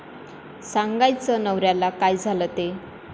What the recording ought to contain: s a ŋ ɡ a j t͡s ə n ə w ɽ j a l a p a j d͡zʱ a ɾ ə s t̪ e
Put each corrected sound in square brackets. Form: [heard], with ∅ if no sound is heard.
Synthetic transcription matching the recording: s a ŋ ɡ a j t͡s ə n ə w [ɾ] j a l a [k] a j d͡zʱ a [l] ə [∅] t̪ e